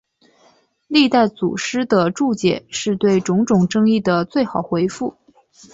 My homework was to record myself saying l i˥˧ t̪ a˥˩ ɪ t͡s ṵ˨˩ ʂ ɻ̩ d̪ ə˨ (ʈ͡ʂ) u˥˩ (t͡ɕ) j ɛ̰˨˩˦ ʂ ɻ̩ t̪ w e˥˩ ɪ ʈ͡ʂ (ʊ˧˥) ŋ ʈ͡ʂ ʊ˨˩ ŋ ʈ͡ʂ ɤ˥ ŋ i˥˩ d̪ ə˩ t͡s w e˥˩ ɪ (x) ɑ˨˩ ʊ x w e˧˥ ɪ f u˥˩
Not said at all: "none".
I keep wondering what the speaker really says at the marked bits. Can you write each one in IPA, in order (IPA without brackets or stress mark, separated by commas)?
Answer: ʈ͡ʂ, t͡ɕ, ʊ˧˥, x